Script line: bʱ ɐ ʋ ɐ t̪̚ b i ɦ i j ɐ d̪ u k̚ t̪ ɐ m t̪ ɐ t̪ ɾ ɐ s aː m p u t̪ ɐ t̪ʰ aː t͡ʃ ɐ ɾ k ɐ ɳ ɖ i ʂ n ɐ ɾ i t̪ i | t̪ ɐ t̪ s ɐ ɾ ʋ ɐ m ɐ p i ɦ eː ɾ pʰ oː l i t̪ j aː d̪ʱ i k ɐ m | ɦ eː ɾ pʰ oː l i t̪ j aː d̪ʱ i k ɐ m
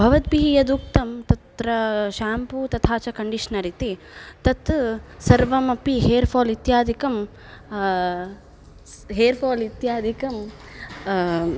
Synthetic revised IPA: bʱ ɐ ʋ ɐ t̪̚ b i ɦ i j ɐ d̪ u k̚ t̪ ɐ m t̪ ɐ t̪ ɾ ɐ ʃ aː m p u t̪ ɐ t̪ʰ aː t͡ʃ ɐ k ɐ ɳ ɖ i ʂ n ɐ ɾ i t̪ i | t̪ ɐ t̪ s ɐ ɾ ʋ ɐ m ɐ p i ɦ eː ɾ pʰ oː l i t̪ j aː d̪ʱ i k ɐ m | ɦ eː ɾ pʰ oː l i t̪ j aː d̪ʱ i k ɐ m